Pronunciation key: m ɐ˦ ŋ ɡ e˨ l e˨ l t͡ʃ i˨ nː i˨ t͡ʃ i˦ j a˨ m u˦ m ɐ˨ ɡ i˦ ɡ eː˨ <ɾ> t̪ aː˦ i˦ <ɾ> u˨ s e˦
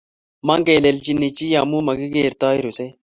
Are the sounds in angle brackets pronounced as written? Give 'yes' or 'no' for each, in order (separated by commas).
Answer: yes, yes